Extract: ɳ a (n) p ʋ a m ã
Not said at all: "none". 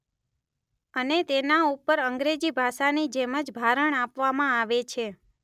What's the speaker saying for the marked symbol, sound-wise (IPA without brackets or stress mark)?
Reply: none